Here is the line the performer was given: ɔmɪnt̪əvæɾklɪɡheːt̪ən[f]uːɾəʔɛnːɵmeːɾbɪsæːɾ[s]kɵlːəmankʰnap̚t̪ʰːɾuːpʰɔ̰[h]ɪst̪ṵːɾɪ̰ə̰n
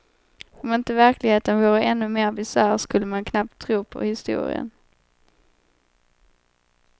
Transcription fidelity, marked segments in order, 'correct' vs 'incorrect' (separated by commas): incorrect, correct, correct